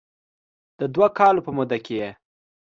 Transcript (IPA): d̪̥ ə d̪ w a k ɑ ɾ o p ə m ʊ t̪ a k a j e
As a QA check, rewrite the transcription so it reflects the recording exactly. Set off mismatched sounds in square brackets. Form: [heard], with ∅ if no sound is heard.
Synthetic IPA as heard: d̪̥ ə d̪ w a k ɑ [l] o p ə m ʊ [d̪] a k [e] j e